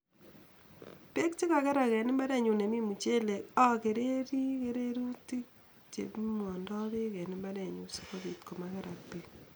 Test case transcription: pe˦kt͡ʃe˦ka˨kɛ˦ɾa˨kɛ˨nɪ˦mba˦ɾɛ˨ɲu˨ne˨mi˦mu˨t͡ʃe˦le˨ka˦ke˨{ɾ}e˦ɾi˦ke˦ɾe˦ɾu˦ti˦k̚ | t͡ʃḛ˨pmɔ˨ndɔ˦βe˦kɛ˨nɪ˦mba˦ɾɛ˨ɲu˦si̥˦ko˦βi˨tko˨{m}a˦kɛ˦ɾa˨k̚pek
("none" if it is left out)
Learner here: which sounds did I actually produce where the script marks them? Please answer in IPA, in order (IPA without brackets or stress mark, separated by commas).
ɾ, m